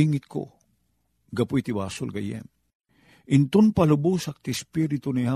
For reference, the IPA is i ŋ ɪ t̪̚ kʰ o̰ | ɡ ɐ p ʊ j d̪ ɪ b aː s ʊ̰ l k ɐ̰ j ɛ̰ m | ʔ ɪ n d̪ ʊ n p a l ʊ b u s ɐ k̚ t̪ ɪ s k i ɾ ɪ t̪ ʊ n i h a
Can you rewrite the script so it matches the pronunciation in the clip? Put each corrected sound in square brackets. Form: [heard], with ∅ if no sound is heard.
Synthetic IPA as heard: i ŋ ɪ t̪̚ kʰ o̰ | ɡ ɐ p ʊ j [t̪] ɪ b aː s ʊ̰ l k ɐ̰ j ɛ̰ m | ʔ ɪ n [t̪] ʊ n p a l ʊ b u s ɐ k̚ t̪ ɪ s [p] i ɾ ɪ t̪ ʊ n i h a